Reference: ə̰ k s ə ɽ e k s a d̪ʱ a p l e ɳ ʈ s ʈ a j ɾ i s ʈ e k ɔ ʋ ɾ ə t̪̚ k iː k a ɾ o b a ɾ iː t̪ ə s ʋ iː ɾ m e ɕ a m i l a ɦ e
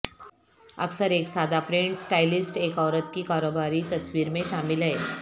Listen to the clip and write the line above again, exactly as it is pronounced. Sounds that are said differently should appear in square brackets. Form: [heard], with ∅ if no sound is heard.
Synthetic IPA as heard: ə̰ k s ə [ɾ] e k s a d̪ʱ a p [ɾ] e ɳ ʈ s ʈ a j [l] i s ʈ e k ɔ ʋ ɾ ə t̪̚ k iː k a ɾ o b a ɾ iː t̪ ə s ʋ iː ɾ m e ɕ a m i l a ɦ e